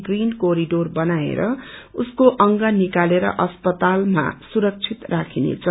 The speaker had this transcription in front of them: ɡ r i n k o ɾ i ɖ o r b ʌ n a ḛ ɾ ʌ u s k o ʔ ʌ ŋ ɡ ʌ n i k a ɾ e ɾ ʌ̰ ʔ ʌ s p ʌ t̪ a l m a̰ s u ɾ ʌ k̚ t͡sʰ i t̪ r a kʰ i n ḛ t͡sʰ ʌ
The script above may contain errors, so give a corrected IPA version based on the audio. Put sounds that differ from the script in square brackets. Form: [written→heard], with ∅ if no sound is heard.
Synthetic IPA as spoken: ɡ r i n k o ɾ i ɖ o r b ʌ n a ḛ ɾ ʌ u s k o ʔ ʌ ŋ ɡ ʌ n i k a [ɾ→l] e ɾ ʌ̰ ʔ ʌ s p ʌ t̪ a l m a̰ s u ɾ ʌ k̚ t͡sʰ i t̪ r a kʰ i n ḛ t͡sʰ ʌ